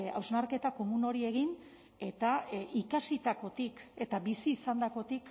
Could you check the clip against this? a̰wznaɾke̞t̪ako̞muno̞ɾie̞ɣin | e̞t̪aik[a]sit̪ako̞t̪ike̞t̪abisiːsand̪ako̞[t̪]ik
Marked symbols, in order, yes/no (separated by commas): yes, yes